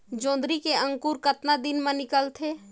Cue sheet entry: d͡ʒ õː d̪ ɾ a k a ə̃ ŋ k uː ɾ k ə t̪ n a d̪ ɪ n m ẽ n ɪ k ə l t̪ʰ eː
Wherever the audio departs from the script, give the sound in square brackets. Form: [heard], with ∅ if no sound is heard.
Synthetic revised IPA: d͡ʒ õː d̪ ɾ [i] k [e] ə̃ ŋ k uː ɾ k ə t̪ n a d̪ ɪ n m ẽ n ɪ k ə l t̪ʰ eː